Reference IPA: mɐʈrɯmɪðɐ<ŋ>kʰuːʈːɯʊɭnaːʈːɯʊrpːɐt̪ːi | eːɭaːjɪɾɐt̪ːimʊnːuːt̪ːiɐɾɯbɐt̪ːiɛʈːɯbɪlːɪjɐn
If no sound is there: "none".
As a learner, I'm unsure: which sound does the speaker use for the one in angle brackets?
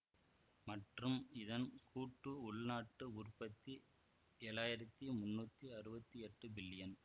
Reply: n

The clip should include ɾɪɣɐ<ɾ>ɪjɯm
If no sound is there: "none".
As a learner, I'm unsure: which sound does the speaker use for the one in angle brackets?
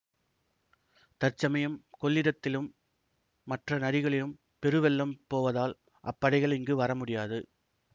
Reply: ɭ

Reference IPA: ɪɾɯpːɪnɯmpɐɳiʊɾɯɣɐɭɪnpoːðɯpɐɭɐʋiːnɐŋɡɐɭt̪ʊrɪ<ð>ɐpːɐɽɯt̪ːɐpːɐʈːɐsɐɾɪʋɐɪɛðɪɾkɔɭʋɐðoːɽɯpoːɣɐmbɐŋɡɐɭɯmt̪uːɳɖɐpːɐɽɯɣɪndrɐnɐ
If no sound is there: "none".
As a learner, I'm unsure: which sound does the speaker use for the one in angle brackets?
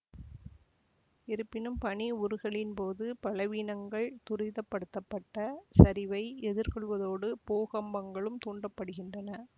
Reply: ð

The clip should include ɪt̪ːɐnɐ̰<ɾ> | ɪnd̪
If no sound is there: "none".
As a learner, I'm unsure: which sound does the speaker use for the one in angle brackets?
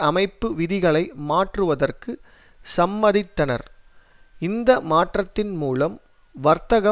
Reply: ɾ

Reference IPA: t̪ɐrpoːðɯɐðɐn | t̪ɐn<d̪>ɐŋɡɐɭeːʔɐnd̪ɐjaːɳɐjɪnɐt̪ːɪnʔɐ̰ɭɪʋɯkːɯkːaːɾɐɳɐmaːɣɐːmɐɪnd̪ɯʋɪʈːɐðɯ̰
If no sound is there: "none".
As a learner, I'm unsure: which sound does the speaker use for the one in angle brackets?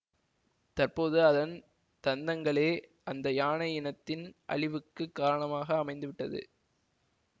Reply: d̪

